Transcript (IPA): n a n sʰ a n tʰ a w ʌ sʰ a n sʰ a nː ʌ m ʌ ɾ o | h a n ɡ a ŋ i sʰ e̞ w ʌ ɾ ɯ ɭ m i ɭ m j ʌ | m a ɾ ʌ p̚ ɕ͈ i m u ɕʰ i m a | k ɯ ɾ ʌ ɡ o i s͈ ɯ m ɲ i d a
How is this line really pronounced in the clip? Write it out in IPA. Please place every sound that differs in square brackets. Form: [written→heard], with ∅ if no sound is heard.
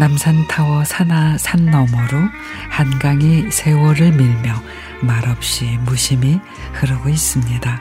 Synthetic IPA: n a [n→m] sʰ a n tʰ a w ʌ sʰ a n sʰ a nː ʌ m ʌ ɾ o | h a n ɡ a ŋ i sʰ e̞ w ʌ ɾ ɯ ɭ m i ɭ m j ʌ | m a ɾ ʌ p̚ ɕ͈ i m u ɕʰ i m [a→i] | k ɯ ɾ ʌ ɡ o i s͈ ɯ m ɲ i d a